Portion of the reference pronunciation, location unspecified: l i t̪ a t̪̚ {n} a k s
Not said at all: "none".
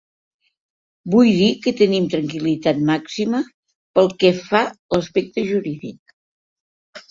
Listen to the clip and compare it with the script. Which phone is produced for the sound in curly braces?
m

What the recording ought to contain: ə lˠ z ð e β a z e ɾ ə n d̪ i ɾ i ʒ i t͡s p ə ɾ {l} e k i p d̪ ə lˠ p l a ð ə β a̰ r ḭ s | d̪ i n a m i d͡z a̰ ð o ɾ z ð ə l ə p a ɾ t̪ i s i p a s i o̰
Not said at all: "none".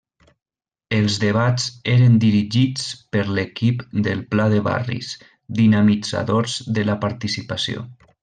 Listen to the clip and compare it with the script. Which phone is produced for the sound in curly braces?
l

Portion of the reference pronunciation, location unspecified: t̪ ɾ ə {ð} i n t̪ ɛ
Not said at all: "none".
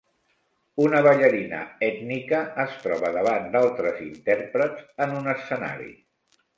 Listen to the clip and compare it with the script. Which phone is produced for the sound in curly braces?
z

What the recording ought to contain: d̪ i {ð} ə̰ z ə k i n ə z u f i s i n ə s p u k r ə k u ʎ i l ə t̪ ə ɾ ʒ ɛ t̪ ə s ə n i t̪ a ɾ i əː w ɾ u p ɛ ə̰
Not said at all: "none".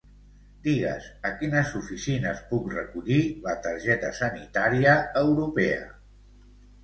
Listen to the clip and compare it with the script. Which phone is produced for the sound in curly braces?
ɣ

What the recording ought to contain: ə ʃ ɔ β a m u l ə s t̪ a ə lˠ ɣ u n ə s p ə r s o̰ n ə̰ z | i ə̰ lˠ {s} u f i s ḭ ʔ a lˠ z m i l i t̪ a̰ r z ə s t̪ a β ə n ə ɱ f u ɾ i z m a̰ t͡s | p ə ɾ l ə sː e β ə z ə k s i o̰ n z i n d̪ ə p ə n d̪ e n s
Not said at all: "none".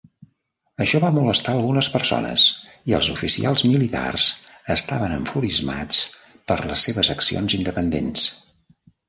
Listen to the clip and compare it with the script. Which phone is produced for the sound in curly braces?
z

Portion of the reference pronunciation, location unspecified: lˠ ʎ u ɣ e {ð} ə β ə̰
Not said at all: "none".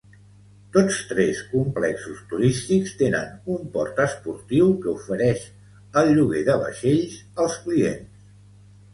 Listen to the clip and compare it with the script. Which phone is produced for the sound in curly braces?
ð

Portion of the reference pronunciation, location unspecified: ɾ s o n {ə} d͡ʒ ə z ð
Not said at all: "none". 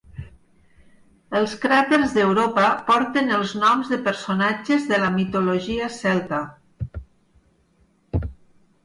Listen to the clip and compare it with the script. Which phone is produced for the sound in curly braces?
a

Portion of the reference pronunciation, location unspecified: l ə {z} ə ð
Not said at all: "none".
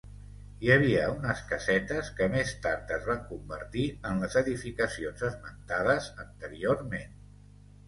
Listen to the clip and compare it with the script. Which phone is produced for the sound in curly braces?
z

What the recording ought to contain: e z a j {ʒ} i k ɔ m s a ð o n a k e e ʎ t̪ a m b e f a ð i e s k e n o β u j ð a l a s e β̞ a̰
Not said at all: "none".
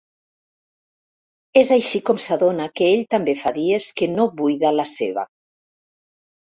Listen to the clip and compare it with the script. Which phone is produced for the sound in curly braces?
ʃ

